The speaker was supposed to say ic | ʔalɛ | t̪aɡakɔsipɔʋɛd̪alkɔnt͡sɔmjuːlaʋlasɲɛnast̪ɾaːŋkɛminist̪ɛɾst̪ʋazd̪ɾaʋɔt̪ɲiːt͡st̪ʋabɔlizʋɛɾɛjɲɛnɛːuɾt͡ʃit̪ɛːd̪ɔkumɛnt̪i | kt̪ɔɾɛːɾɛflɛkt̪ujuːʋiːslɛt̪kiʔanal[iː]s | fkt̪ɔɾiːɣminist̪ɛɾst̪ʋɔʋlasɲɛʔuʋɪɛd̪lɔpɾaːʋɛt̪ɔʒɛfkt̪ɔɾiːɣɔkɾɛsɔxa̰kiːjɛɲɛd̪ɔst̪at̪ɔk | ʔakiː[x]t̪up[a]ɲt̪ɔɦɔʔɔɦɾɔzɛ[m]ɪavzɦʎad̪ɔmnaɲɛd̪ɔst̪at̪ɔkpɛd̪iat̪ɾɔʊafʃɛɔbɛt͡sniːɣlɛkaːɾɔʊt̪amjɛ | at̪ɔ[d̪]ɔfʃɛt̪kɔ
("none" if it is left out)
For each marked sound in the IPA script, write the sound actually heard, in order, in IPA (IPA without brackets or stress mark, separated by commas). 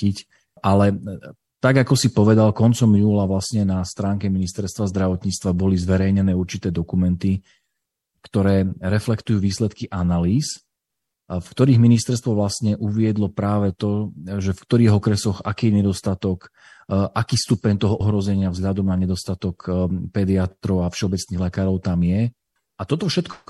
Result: iː, s, ɛ, ɲ, t̪